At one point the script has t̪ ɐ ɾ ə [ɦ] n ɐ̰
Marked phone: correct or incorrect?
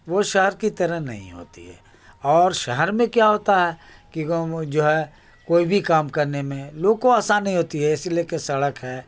correct